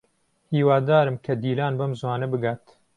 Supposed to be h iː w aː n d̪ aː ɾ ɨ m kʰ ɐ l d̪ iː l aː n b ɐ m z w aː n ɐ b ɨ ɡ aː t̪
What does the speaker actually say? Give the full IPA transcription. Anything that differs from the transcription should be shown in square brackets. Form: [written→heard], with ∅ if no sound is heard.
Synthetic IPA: h iː w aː [n→∅] d̪ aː ɾ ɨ m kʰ ɐ [l→∅] d̪ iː l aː n b ɐ m z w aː n ɐ b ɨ ɡ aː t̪